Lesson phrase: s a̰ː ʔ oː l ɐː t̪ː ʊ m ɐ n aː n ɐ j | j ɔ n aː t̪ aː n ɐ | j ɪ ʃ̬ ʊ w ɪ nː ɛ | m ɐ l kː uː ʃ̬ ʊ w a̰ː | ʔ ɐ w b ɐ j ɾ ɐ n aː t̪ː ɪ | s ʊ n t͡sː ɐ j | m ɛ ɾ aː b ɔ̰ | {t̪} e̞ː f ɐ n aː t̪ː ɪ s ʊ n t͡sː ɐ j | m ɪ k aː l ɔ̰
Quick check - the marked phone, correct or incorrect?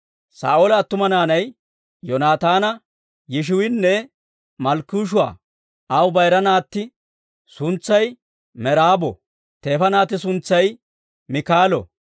correct